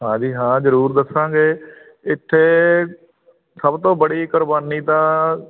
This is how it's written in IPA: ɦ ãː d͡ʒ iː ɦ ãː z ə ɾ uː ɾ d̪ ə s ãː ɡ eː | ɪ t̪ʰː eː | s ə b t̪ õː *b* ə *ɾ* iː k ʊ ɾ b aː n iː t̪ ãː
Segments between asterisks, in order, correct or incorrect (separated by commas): correct, incorrect